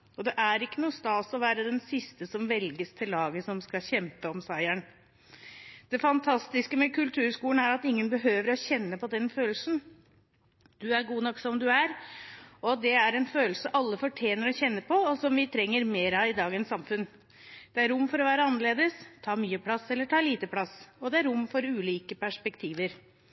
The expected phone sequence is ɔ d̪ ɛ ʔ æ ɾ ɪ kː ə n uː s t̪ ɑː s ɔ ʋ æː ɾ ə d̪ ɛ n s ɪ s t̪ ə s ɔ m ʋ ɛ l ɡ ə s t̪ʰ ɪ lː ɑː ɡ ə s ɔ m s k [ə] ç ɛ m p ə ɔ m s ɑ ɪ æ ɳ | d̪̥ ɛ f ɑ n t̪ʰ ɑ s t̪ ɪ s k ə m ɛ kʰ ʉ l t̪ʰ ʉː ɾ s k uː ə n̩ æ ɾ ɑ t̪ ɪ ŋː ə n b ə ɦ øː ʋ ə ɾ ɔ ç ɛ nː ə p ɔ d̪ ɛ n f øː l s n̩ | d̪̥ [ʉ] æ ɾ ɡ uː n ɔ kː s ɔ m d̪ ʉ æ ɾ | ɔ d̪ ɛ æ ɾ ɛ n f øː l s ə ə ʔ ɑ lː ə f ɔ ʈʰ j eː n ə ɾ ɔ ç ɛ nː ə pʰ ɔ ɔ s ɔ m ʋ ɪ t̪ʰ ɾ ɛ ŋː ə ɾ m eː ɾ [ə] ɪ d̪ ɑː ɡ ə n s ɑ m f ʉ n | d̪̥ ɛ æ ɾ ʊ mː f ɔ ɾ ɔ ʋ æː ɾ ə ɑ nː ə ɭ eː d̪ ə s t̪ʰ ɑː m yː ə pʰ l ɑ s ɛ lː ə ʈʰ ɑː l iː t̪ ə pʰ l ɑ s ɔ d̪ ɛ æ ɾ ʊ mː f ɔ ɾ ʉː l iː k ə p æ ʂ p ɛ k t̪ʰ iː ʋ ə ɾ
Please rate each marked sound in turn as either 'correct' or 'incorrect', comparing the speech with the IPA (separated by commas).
incorrect, correct, incorrect